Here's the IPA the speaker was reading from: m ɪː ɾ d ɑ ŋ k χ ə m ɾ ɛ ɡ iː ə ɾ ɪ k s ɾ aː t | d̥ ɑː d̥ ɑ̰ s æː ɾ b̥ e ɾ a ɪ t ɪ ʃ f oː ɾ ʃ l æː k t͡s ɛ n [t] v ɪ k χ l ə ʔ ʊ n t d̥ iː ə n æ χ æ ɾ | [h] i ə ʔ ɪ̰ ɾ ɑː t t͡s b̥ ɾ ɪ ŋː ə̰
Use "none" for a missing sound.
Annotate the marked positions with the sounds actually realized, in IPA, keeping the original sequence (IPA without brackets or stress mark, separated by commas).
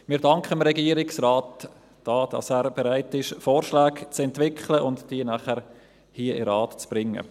t, h